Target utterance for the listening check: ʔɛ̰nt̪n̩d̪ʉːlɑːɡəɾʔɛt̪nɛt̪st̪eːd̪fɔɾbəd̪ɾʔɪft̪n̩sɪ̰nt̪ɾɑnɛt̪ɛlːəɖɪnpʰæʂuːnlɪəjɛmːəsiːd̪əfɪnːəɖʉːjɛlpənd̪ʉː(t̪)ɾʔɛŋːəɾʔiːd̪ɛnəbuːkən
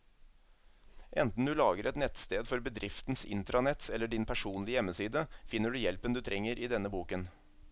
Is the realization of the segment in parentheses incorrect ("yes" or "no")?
yes